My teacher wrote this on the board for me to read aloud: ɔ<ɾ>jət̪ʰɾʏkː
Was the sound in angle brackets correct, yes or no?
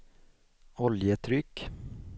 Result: no